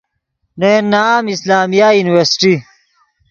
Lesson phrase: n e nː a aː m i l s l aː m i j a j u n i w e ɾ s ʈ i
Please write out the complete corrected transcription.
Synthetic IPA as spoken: n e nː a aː m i s l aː m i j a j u n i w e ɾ s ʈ i